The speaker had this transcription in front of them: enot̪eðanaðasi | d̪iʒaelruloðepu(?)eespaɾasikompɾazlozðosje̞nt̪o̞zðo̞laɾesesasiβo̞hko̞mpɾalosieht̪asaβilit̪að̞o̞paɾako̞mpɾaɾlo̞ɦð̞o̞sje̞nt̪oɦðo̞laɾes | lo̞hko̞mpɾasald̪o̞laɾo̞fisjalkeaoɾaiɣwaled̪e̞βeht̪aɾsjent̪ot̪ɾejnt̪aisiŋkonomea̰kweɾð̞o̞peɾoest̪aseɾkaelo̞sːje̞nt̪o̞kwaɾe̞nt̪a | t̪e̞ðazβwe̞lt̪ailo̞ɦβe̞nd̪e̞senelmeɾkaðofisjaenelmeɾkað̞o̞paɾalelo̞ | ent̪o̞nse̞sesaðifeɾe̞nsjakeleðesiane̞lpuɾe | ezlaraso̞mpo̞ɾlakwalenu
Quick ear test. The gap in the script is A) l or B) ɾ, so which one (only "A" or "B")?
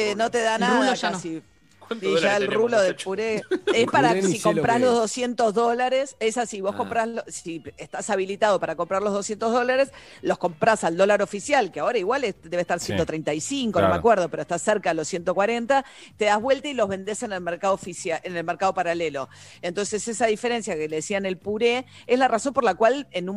B